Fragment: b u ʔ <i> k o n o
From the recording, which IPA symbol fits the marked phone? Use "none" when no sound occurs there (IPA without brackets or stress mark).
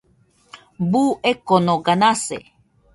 e